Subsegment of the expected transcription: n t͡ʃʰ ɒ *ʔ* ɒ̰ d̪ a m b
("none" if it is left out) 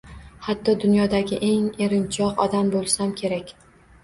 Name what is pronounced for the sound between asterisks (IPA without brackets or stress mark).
q